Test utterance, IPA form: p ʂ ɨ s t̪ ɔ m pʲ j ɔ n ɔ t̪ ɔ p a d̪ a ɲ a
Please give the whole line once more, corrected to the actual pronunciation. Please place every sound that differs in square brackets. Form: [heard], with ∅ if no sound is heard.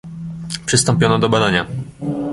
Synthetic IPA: p ʂ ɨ s t̪ ɔ m pʲ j ɔ n ɔ [d̪] ɔ [b] a d̪ a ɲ a